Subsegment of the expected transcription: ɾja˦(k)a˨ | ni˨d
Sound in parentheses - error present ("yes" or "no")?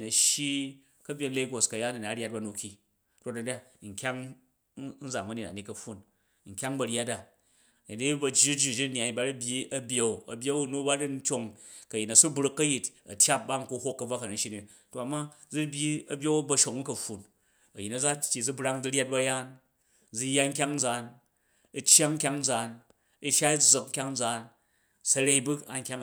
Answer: yes